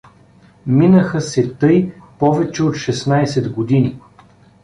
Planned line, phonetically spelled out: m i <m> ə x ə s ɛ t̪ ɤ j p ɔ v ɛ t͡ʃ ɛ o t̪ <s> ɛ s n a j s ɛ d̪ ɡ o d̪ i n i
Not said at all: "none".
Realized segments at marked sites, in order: n, ʃ

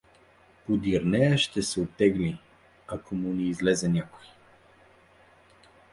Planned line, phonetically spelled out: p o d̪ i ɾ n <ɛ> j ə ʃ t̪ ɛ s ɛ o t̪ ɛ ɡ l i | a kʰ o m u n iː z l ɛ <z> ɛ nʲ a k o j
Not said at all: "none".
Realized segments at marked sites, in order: ɛ, z

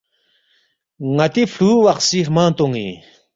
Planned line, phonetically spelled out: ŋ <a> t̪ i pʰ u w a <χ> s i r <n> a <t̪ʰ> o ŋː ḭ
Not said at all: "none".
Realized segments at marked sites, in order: a, χ, m, t̪

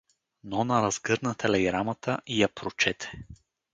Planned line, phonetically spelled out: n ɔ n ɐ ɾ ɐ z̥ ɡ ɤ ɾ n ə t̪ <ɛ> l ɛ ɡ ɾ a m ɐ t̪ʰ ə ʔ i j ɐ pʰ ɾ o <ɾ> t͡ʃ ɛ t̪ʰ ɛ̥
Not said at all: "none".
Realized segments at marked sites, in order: ɛ, none

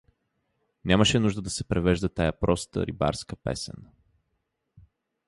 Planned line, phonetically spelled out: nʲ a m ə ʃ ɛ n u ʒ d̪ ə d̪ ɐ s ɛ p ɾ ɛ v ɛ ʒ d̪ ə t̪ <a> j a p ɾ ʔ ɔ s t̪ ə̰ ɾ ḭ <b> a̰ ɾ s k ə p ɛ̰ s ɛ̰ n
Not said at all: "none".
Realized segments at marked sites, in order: a, b

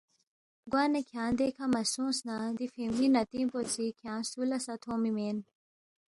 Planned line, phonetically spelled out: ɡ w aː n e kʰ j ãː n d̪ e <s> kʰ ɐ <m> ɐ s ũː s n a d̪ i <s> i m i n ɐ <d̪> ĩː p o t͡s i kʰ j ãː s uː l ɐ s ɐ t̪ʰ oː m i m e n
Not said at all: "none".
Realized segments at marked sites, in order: none, m, f, t̪

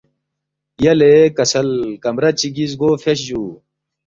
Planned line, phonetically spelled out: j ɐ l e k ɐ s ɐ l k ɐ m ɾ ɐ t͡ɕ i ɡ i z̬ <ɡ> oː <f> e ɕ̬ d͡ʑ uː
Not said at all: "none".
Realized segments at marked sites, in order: ɡ, f

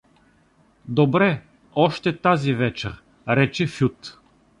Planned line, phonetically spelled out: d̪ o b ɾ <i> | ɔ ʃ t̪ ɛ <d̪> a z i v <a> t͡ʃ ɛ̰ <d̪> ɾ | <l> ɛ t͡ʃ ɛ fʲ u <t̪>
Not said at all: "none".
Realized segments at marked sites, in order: ɛ, t̪, ɛ, none, ɾ, t̪

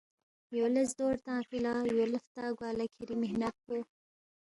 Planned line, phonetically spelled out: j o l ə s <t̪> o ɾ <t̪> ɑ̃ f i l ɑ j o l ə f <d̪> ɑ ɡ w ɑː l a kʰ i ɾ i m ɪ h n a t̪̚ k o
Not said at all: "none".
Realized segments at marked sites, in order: d̪, t̪, t̪

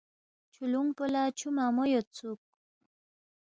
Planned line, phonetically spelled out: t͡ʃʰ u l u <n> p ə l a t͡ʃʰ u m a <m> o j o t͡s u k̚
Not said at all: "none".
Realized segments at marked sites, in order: ŋ, m

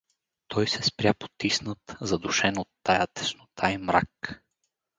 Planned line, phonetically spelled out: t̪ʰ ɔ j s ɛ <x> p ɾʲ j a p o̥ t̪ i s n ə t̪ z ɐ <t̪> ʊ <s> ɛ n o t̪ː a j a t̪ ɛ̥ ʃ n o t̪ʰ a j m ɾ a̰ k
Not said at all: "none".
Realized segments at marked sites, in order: s, d̪, ʃ

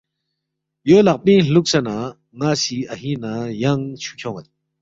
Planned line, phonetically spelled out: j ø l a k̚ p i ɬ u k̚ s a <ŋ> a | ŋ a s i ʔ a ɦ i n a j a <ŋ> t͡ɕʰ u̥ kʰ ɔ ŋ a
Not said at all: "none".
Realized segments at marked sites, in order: n, ŋ

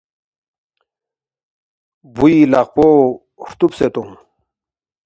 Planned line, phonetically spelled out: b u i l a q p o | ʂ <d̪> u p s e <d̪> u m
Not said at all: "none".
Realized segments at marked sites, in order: t̪, t̪

